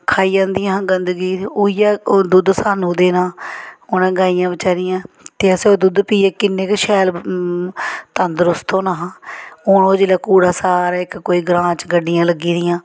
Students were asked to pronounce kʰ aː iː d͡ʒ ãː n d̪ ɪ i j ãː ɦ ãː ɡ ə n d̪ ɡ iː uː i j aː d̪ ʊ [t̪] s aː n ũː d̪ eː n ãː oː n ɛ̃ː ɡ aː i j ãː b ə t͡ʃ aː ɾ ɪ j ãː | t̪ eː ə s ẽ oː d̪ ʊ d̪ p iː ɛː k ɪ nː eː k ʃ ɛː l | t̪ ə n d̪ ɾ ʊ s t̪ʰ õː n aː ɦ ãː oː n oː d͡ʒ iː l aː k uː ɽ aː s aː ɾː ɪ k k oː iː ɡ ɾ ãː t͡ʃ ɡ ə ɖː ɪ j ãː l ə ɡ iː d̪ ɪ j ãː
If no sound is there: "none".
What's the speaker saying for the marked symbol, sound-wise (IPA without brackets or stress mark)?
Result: d̪